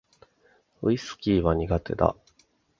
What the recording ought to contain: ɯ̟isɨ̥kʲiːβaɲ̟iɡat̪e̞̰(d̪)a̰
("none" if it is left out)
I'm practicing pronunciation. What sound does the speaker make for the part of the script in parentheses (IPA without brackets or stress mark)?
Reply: d̪